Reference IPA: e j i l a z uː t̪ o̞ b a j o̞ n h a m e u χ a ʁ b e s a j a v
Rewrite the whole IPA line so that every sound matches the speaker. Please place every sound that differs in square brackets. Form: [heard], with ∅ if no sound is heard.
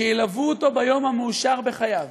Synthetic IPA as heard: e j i l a [v] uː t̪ o̞ b a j o̞ [m] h a m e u [ʃ] a ʁ b e [χ] a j a v